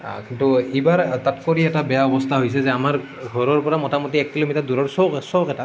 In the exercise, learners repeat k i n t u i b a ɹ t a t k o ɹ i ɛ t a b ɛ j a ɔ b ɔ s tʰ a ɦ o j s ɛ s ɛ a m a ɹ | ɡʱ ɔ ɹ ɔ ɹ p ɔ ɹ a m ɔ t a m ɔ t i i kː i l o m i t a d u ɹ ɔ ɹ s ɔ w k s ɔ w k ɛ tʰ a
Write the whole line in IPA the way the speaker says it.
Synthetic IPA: k i n t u i b a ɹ t a t k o ɹ i ɛ t a b ɛ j a ɔ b ɔ s tʰ a ɦ o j s ɛ z ɛ a m a ɹ | ɡʱ ɔ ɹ ɔ ɹ p ɔ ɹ a m ɔ t a m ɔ t i ɛ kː i l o m i t a d u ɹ ɔ ɹ s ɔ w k s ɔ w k ɛ t a